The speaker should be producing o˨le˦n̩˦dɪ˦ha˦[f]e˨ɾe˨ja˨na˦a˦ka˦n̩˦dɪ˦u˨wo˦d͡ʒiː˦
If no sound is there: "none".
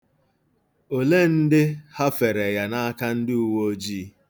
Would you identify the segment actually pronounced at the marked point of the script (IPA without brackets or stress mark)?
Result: f